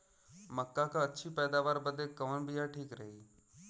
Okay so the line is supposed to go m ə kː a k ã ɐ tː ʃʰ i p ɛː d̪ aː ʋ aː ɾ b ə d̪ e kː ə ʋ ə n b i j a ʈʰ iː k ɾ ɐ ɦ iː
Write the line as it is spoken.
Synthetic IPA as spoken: m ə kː a k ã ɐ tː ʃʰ i p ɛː d̪ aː ʋ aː ɾ b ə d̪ e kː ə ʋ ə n b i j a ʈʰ iː k ɾ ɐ ɦ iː